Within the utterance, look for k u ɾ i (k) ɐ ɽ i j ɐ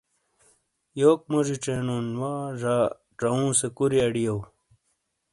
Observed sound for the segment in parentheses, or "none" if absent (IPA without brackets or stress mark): none